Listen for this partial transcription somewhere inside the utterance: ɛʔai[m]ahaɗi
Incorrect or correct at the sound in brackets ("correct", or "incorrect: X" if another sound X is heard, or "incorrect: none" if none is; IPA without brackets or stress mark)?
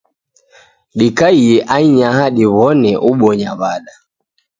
incorrect: ɲ